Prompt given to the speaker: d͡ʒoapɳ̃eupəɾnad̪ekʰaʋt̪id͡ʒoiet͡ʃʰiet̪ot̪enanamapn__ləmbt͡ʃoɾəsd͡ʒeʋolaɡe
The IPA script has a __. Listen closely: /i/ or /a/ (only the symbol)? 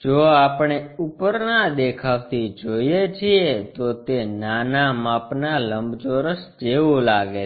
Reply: a